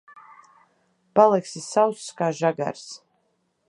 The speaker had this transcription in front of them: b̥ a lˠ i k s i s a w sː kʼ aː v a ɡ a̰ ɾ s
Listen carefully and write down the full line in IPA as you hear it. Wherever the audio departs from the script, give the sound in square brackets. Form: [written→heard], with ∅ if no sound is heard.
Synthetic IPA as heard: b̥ a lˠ [i→ɛ] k s i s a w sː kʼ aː [v→ʒ] a ɡ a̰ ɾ s